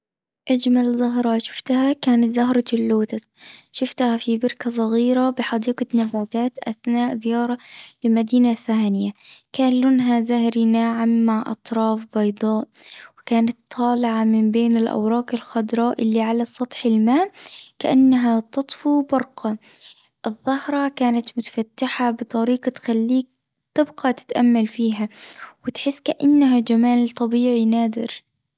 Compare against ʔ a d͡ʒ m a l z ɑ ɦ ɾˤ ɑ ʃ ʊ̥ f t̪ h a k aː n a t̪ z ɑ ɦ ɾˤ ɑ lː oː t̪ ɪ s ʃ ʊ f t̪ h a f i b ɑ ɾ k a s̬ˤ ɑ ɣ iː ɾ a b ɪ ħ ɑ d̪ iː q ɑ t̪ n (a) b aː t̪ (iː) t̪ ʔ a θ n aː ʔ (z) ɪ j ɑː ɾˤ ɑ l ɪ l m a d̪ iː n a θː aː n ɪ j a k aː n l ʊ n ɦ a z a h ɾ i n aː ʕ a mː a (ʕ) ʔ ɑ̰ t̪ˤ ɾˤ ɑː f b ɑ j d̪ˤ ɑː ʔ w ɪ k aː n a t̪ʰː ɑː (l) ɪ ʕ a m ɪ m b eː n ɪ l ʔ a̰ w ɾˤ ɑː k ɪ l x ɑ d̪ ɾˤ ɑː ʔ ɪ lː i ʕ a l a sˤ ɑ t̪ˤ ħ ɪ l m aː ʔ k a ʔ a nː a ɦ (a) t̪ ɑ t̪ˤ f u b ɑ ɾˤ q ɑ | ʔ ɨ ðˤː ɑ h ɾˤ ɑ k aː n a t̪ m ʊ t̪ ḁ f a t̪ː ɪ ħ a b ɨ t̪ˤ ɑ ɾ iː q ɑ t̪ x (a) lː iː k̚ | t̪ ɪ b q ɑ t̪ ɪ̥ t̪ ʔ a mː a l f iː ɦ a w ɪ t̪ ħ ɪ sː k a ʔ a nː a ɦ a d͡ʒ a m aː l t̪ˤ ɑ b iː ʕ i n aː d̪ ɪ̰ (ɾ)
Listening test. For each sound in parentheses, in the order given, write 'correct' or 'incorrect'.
correct, incorrect: aː, correct, correct, correct, correct, correct, correct

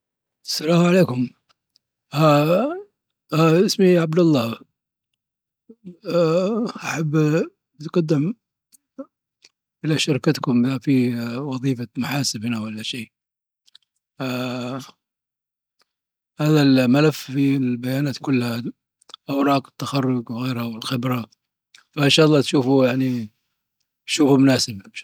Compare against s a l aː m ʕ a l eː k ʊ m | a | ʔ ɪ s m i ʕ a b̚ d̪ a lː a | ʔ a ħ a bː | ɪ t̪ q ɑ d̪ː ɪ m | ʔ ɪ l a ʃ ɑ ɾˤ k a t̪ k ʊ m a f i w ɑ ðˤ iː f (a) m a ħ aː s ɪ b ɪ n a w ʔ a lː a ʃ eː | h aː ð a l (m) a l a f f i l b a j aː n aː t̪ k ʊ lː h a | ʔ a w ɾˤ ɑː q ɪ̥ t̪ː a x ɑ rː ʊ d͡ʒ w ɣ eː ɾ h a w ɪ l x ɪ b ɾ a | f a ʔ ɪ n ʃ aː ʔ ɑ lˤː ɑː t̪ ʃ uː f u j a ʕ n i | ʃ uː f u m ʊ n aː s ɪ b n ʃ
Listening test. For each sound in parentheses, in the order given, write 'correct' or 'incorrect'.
correct, correct

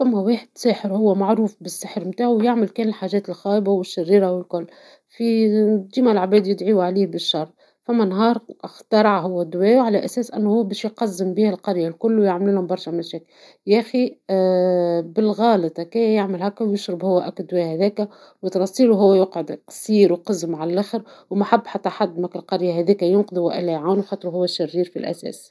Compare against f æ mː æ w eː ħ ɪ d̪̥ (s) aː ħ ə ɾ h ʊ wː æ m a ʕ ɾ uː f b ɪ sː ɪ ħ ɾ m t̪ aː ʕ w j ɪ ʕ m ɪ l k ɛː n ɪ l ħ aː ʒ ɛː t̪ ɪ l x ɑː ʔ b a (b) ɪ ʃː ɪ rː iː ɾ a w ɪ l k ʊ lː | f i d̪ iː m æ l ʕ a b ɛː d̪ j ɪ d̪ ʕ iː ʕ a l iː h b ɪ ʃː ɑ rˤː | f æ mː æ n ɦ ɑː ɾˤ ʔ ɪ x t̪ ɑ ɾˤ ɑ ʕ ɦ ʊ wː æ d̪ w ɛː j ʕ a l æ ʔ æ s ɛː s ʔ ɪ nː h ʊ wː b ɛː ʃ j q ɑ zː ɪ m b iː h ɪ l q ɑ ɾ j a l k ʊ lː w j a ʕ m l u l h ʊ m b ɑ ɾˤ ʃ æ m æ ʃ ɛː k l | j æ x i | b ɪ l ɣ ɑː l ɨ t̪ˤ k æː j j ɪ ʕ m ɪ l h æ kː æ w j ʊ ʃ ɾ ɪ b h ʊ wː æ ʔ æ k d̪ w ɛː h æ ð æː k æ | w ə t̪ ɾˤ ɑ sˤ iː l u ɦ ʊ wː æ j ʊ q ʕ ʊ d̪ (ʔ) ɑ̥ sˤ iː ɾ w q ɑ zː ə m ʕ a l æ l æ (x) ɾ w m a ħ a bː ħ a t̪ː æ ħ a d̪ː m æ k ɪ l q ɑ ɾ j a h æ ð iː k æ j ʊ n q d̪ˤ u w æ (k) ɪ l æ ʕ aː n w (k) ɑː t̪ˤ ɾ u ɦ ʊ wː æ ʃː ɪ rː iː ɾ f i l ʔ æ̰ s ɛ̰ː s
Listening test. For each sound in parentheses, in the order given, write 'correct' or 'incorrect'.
correct, incorrect: w, incorrect: q, correct, incorrect: ʔ, incorrect: x

